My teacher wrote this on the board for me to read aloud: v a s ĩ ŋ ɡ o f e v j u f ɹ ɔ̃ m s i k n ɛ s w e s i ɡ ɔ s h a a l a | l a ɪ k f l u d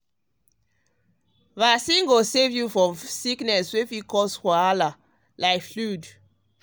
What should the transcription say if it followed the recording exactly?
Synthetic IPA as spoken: v a s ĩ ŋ ɡ o s e v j u f ɹ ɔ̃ m s i k n ɛ s w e f i k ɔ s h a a l a | l a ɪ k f l u d